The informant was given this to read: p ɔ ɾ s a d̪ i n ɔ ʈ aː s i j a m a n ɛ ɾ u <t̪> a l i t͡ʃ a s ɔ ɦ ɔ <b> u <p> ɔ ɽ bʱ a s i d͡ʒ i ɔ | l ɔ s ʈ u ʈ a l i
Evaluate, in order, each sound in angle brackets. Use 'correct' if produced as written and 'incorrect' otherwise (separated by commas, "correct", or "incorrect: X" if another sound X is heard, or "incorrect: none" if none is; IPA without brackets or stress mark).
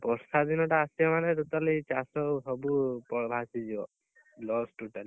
correct, correct, correct